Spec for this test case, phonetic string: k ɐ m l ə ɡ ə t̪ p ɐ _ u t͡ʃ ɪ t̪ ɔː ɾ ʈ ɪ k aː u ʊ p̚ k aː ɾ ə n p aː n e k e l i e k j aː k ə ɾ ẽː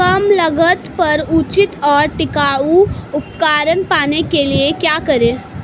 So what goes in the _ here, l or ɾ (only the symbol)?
ɾ